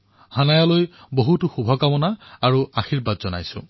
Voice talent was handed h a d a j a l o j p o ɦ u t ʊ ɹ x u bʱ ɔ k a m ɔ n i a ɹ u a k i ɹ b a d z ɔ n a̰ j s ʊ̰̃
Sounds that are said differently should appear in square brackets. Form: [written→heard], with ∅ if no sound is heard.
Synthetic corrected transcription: h a [d→n] a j a l o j [p→b] o ɦ u t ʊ [ɹ→∅] x u bʱ ɔ k a m ɔ n [i→a] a ɹ u a [k→x] i ɹ b a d z ɔ n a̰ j s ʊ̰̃